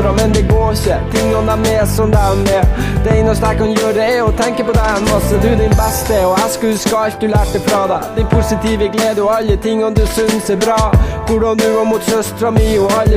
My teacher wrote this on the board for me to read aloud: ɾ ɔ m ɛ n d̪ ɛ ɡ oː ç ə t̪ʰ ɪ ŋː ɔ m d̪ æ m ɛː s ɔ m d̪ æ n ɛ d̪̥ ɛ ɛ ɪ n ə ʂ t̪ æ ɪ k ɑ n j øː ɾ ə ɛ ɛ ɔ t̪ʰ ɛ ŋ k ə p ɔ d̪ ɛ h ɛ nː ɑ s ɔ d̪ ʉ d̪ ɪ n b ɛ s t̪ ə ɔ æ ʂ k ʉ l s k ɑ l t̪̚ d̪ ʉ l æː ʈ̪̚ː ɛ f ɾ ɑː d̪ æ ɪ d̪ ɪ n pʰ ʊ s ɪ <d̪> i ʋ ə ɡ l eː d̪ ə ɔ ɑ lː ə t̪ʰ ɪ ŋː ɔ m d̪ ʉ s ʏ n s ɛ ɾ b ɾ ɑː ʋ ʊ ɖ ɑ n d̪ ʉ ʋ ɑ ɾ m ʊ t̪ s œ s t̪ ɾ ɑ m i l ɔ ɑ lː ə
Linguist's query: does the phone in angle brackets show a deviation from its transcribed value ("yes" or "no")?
yes